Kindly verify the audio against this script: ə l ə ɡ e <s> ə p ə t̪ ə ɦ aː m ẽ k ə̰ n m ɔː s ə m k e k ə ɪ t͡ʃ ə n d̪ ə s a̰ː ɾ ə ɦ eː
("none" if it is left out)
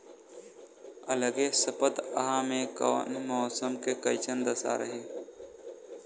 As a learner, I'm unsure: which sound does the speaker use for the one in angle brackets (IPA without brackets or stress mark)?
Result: s